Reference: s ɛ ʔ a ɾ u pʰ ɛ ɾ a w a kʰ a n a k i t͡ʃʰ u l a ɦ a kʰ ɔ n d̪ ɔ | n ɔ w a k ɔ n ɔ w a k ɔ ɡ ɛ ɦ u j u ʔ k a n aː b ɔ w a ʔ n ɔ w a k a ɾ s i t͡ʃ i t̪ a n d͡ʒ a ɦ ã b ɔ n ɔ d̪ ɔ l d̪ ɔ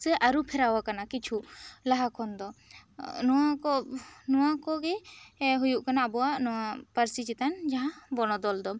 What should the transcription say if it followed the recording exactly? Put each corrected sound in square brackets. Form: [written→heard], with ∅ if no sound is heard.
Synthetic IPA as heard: s ɛ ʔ a ɾ u pʰ ɛ ɾ a w a [kʰ→k] a n a k i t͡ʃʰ u l a ɦ a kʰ ɔ n d̪ ɔ | n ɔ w a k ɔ n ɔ w a k ɔ ɡ ɛ ɦ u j u ʔ k a n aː b ɔ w a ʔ n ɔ w a [k→p] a ɾ s i t͡ʃ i t̪ a n d͡ʒ a ɦ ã b ɔ n ɔ d̪ ɔ l d̪ ɔ